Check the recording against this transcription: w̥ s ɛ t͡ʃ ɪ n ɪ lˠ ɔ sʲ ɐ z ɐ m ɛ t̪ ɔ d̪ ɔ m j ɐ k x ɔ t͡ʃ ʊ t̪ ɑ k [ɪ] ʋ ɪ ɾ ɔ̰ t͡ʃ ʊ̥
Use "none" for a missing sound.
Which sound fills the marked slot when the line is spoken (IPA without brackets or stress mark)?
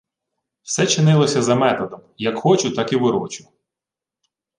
i